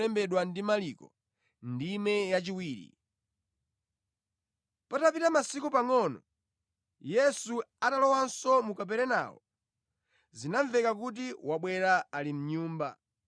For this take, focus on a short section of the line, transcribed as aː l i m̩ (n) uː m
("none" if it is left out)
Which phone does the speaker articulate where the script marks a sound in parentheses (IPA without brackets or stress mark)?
ɲ